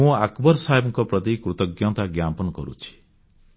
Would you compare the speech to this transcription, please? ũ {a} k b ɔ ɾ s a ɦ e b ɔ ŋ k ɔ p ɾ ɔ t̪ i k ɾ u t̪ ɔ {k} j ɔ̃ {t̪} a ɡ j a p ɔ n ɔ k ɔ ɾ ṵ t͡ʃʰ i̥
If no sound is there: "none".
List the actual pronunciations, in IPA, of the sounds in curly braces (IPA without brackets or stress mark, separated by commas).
a, ɡ, t̪